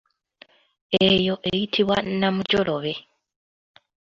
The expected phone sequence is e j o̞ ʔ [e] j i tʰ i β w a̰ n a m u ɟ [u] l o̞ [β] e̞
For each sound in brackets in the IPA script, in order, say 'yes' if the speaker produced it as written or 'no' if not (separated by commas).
yes, no, yes